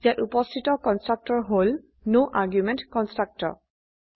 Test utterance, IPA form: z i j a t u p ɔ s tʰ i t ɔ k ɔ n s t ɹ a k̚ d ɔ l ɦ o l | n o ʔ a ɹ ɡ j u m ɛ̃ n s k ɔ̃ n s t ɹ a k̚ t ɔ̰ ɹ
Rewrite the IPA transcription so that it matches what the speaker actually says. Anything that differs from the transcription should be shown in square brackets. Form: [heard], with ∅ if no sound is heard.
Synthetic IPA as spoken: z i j a t u p ɔ s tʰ i t ɔ k ɔ n s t ɹ a k̚ [t] ɔ [ɹ] ɦ o l | n o ʔ a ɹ ɡ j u m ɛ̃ n [t] k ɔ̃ n s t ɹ a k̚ t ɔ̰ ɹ

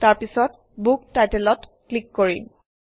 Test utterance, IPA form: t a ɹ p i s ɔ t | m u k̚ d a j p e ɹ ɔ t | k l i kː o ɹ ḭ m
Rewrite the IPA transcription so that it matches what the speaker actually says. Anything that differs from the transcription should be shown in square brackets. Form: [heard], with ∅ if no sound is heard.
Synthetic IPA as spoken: t a ɹ p i s ɔ t | [b] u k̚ [t] a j [t] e [l] ɔ t | k l i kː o ɹ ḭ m

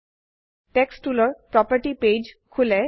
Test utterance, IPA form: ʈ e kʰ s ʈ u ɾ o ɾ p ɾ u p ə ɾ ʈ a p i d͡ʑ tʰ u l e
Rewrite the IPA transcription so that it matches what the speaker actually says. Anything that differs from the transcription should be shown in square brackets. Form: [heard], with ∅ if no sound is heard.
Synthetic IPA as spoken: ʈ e [k] s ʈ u [l] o ɾ p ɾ [ɔ] p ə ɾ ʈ [i] p [e] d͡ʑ [kʰ] u l e

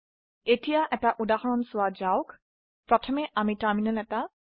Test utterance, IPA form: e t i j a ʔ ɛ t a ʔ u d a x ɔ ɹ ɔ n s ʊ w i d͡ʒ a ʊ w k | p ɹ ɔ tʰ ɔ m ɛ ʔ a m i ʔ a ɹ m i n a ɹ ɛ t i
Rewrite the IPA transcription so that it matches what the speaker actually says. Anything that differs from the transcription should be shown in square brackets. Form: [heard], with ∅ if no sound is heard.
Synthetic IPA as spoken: e t i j a ʔ ɛ t a ʔ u d a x ɔ ɹ ɔ n s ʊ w [a] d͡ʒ a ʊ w k | p ɹ ɔ tʰ ɔ m ɛ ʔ a m i [t] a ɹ m i n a [l] ɛ t [a]

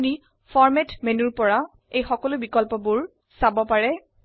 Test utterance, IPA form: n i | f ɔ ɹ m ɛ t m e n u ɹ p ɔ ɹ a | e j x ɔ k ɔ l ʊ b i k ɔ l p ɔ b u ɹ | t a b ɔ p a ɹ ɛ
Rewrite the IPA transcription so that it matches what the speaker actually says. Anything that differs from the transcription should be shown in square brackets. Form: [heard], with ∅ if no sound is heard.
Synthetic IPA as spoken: n i | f ɔ ɹ m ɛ t m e n u ɹ p ɔ ɹ a | e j x ɔ k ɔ l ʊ b i k ɔ l p ɔ b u ɹ | [s] a b ɔ p a ɹ ɛ

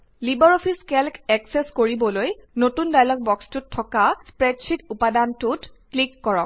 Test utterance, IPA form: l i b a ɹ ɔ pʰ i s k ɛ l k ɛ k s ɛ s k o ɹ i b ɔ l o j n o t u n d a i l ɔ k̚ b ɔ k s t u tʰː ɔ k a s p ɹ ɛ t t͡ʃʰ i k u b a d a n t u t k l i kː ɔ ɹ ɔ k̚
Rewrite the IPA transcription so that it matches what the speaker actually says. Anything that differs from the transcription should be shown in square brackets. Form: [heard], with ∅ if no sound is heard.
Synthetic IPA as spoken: l i b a ɹ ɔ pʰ i s k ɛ l k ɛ k s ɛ s k o ɹ i b ɔ l o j n o t u n d a [j] l ɔ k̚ b ɔ k s t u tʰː ɔ k a s p ɹ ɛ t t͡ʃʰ i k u [p] a d a n t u t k l i kː ɔ ɹ ɔ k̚

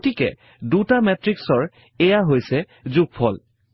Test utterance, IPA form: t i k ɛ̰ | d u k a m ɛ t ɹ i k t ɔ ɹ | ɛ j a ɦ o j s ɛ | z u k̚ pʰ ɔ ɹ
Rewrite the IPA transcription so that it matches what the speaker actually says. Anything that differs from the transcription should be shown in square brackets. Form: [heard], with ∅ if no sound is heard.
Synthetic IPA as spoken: t i k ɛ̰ | d u [t] a m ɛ t ɹ i k [s] ɔ ɹ | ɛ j a ɦ o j s ɛ | z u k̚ pʰ ɔ [l]

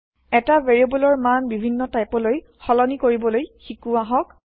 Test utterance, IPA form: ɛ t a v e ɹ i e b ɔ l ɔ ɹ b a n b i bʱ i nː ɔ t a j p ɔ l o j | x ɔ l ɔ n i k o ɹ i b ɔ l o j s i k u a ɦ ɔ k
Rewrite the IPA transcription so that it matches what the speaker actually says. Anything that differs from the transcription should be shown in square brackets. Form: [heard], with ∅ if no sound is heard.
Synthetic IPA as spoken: ɛ t a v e ɹ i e b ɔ l ɔ ɹ [m] a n b i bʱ i nː ɔ t a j p ɔ l o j | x ɔ l ɔ n i k o ɹ i b ɔ l o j [x] i k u a ɦ ɔ k

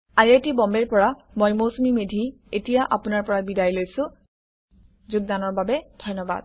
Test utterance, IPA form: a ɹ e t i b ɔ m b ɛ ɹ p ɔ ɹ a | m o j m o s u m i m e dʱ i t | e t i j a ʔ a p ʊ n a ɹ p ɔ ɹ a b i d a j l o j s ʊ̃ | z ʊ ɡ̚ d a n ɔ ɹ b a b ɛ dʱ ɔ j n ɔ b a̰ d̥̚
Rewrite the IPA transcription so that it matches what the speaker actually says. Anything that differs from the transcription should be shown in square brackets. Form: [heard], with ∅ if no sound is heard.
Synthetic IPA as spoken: a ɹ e t i b ɔ m b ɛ ɹ p ɔ ɹ a | m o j m o s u m i m e dʱ i [∅] | e t i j a ʔ a p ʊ n a ɹ p ɔ ɹ a b i d a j l o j s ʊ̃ | z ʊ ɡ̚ d a n ɔ ɹ b a b ɛ dʱ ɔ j n ɔ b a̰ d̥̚

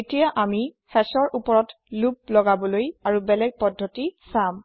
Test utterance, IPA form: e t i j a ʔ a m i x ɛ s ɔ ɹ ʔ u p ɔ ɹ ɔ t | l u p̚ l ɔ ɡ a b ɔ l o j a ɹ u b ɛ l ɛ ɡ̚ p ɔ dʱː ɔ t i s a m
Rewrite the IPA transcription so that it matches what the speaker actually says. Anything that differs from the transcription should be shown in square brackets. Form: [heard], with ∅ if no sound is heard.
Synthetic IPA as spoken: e t i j a ʔ a m i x ɛ s ɔ ɹ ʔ u p ɔ ɹ ɔ t | l u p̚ l ɔ ɡ a b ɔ l o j a ɹ u b ɛ l ɛ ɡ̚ p ɔ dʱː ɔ t i s a m

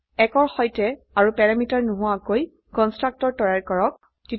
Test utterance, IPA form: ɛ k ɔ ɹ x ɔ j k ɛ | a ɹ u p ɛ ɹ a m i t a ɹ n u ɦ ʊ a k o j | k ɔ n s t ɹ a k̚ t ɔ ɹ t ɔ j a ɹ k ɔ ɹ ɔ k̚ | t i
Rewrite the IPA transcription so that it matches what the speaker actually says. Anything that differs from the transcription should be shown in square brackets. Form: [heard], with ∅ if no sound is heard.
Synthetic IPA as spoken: ɛ k ɔ ɹ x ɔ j [t] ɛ | a ɹ u p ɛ ɹ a m i t a ɹ n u ɦ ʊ a k o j | k ɔ n s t ɹ a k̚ t ɔ ɹ t ɔ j a ɹ k ɔ ɹ ɔ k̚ | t i

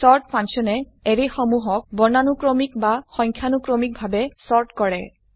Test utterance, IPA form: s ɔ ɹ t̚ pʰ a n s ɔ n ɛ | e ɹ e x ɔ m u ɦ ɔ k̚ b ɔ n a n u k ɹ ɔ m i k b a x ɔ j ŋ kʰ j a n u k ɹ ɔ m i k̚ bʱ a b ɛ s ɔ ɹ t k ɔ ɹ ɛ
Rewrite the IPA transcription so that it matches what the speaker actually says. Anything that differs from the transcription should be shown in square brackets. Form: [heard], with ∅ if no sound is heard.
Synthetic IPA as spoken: s ɔ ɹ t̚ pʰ a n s ɔ n ɛ | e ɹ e x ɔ m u ɦ ɔ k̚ b ɔ n a n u k ɹ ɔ m i k b a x ɔ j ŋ kʰ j a n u k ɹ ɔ m i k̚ bʱ a b ɛ s ɔ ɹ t k ɔ ɹ ɛ

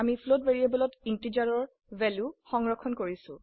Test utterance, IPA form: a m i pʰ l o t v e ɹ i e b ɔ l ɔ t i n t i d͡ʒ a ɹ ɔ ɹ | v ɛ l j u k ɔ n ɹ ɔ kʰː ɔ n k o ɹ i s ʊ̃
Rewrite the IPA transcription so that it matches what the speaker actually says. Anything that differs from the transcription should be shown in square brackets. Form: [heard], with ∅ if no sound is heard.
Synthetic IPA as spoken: a m i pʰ l o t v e ɹ i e b ɔ l ɔ t i n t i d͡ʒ a ɹ ɔ ɹ | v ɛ l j u [x] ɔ [ŋ] ɹ ɔ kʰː ɔ n k o ɹ i s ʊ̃

